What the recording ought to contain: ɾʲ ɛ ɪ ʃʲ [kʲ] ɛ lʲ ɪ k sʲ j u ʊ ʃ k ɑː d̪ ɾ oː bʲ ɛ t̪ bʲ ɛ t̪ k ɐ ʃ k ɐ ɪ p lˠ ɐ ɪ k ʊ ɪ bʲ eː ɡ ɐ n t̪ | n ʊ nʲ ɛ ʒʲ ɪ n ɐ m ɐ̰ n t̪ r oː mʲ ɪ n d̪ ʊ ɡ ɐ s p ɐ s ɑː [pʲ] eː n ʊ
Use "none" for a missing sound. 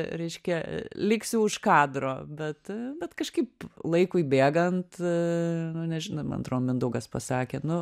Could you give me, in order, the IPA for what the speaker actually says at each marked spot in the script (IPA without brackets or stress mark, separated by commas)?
kʲ, kʲ